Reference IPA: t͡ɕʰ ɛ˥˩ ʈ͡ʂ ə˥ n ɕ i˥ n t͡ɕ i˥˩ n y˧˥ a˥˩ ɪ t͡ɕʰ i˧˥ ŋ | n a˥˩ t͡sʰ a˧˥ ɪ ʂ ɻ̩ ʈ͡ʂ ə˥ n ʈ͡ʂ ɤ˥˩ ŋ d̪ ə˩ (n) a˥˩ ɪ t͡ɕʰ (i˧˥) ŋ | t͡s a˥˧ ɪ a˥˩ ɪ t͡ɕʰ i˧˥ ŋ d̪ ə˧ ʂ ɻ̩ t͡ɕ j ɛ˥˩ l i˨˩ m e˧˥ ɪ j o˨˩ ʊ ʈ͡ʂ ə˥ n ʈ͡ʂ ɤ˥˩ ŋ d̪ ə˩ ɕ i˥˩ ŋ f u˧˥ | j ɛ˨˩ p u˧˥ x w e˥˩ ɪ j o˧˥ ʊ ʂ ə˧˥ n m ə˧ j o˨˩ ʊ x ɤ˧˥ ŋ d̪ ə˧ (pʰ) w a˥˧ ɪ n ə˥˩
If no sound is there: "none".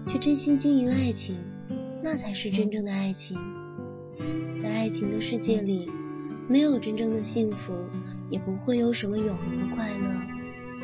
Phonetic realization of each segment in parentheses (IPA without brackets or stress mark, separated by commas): none, i˧˥, kʰ